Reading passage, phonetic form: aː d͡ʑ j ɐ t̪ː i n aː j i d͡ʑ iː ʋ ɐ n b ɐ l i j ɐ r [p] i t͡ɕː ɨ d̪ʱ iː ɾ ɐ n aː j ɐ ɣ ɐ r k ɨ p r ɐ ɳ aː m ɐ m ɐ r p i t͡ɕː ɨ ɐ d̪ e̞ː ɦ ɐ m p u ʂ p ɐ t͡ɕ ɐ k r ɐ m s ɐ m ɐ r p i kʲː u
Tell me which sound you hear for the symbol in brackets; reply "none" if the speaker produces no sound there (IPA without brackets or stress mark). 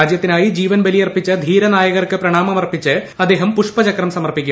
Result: p